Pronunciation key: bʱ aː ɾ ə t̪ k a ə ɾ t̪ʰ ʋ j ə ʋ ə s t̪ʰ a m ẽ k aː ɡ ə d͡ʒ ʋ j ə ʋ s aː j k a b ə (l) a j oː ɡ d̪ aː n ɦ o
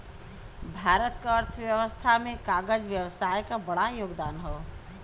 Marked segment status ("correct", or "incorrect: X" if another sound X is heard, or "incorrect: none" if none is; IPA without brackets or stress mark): incorrect: ɽ